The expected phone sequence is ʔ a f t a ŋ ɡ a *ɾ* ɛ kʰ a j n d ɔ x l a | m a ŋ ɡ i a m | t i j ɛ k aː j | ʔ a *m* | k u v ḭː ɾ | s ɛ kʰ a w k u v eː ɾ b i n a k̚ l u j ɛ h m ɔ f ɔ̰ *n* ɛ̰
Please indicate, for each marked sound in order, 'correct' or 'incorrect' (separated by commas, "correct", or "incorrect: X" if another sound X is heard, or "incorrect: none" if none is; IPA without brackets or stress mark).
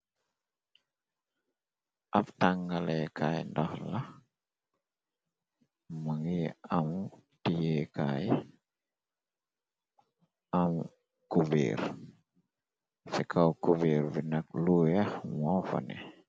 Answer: incorrect: l, correct, correct